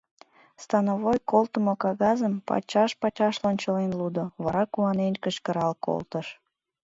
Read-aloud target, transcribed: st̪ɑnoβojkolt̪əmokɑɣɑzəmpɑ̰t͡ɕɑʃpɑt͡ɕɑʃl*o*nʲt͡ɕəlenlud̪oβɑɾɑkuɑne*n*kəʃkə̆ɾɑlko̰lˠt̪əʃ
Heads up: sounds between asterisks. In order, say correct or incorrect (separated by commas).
correct, correct